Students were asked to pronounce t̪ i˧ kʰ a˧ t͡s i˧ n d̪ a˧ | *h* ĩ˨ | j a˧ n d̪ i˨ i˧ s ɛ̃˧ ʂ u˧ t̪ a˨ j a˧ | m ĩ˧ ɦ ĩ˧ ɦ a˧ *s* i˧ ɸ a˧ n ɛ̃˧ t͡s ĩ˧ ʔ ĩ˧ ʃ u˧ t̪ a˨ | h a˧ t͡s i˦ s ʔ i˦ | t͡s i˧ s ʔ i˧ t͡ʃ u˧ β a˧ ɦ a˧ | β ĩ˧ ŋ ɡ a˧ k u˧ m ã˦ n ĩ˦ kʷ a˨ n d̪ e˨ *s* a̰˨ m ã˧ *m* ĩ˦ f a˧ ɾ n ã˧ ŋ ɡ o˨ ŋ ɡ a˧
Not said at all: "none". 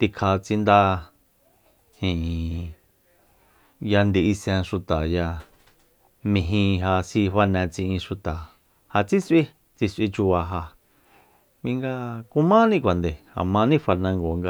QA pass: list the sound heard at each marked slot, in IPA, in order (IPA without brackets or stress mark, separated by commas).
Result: h, s, h, n